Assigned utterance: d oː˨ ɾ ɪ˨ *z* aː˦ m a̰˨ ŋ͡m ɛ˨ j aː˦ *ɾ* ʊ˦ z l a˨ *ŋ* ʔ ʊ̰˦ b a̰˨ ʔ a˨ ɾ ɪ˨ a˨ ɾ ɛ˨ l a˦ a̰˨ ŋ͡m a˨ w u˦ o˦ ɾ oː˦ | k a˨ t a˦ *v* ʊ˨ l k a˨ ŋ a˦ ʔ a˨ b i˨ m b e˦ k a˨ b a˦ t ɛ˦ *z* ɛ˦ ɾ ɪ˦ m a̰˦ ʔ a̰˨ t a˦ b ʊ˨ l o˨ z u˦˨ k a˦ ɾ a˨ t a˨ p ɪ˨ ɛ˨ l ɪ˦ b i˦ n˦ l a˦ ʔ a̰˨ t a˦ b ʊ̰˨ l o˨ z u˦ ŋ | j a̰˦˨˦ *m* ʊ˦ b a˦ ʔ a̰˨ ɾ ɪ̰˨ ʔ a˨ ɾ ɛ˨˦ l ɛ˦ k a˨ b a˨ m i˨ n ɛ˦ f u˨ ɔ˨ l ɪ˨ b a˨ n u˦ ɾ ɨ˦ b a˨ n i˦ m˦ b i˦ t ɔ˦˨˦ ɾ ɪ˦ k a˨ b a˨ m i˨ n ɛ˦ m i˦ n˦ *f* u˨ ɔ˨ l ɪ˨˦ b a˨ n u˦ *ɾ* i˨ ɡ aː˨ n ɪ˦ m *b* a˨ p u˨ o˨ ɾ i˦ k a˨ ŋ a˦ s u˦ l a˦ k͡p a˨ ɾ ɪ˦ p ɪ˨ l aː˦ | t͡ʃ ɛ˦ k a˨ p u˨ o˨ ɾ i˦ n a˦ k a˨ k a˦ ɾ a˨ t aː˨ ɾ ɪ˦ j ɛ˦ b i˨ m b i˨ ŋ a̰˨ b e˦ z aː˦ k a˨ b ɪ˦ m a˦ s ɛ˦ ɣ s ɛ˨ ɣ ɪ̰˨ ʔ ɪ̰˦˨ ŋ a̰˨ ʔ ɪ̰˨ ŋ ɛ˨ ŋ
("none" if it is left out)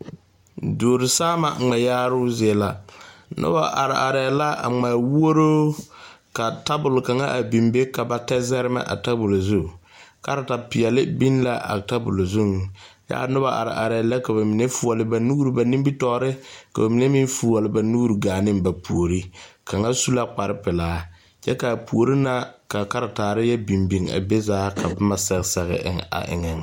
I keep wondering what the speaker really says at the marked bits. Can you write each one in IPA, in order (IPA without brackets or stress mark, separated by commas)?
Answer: s, ɾ, n, b, z, n, f, ɾ, b